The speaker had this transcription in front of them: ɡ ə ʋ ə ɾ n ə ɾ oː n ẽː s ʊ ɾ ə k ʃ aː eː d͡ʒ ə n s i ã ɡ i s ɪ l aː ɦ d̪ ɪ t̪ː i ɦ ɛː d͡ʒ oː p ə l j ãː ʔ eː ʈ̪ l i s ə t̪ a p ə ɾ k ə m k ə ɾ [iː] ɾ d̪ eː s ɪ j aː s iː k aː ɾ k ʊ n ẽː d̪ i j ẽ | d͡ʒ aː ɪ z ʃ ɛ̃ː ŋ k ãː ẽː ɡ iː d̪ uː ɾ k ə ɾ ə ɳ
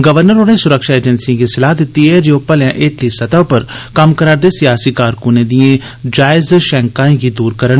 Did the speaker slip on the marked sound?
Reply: yes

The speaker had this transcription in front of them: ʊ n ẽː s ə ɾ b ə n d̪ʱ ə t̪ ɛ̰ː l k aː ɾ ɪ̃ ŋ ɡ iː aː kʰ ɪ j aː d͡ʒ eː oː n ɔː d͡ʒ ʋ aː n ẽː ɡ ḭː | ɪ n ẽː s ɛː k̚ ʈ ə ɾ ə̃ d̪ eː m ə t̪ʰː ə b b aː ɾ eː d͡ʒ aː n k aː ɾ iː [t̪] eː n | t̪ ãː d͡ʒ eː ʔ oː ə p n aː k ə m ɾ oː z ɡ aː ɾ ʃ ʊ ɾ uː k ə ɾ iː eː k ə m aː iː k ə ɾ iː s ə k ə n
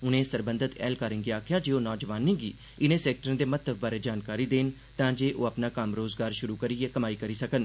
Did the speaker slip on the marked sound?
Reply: yes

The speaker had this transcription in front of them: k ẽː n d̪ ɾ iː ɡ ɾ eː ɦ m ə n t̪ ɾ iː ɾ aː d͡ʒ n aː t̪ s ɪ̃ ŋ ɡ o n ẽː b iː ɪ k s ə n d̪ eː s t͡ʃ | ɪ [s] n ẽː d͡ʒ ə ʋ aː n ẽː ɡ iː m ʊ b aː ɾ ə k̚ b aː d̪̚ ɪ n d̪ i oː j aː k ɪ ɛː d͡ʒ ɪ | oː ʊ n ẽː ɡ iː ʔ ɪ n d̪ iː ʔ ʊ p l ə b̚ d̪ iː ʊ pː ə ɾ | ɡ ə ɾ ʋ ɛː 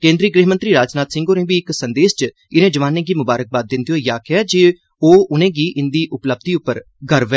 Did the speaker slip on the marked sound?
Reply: yes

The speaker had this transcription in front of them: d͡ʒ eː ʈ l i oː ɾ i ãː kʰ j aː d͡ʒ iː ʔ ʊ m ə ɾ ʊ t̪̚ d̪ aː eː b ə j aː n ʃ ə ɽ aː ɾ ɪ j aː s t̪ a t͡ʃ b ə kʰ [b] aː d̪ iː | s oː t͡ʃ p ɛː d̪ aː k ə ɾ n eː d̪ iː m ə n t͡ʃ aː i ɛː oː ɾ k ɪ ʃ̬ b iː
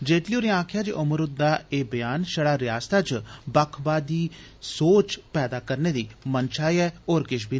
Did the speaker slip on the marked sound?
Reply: no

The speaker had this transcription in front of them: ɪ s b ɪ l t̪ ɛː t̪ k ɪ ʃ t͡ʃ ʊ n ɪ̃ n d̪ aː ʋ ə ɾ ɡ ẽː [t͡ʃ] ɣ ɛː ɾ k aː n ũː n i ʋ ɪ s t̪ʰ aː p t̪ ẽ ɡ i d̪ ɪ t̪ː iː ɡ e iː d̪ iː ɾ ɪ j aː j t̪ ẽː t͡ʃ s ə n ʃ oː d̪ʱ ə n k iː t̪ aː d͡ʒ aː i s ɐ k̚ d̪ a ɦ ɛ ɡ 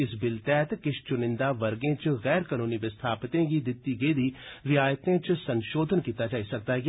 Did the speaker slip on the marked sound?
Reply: no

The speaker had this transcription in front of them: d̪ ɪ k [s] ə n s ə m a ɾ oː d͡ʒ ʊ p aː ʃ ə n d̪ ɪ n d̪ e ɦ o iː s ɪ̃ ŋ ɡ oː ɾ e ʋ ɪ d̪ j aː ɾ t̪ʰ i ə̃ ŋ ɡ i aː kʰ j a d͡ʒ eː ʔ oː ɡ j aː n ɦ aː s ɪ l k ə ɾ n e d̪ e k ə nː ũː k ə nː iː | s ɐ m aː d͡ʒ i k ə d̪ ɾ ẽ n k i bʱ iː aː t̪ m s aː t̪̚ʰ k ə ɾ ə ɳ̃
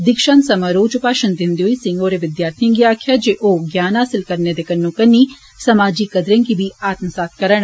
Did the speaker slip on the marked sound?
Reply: yes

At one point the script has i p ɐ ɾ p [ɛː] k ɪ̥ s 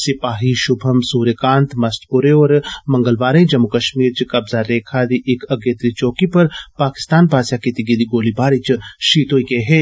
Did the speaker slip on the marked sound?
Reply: yes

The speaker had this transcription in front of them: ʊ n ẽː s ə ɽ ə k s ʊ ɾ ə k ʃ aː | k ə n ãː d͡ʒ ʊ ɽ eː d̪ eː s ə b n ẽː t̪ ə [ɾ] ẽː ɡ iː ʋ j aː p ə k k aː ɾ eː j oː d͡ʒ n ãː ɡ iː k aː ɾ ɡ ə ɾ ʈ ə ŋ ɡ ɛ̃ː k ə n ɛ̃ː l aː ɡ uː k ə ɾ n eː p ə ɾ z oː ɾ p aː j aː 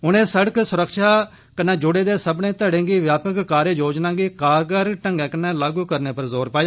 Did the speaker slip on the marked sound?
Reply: yes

